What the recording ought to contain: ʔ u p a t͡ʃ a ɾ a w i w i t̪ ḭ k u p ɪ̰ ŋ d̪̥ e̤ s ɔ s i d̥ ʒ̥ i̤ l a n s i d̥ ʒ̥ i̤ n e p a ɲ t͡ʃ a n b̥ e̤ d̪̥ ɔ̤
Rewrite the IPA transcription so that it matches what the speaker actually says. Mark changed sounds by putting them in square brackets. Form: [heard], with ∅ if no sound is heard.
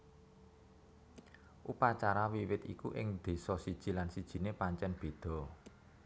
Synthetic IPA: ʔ u p a t͡ʃ a ɾ a w i w [ɪ] t̪ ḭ k u [ʔ] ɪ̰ ŋ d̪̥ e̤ s ɔ s i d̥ ʒ̥ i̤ l a n s i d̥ ʒ̥ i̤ n e p a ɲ t͡ʃ [ɛ] n b̥ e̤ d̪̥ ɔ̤